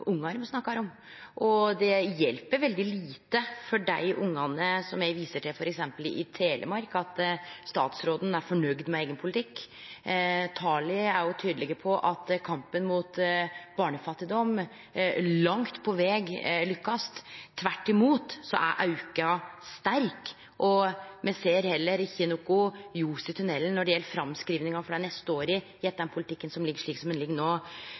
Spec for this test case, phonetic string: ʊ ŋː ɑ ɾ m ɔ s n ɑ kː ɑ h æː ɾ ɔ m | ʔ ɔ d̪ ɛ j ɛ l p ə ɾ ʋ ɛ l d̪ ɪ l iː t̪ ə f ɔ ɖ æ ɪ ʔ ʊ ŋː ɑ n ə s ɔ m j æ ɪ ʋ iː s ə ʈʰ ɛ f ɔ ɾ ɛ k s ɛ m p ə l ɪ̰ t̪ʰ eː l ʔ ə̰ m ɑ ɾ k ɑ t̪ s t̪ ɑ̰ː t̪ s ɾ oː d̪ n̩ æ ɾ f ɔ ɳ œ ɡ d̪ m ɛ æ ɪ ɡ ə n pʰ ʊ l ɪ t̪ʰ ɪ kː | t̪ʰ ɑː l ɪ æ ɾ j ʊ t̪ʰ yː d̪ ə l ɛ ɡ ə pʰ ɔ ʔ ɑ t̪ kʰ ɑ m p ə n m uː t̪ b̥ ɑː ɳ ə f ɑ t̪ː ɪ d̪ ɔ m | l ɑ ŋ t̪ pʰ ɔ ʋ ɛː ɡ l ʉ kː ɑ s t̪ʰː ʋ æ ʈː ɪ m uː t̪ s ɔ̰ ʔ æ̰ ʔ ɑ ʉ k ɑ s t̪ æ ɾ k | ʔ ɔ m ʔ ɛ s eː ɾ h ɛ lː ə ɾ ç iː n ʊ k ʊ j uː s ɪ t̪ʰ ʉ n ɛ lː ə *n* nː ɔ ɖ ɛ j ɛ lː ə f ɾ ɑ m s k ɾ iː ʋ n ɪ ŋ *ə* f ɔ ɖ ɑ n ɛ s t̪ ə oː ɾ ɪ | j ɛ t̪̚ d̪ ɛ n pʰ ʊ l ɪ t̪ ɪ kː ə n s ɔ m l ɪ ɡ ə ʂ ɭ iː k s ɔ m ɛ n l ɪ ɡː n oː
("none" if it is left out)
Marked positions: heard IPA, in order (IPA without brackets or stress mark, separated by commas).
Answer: n, ɑ